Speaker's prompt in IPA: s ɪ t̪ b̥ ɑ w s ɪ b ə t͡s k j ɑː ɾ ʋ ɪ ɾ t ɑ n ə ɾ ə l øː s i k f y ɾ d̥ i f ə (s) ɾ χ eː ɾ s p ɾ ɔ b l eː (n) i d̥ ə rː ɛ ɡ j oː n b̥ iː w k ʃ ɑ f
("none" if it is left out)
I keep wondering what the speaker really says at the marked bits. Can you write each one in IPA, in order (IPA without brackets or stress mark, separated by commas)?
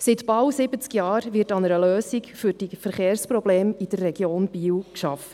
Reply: none, m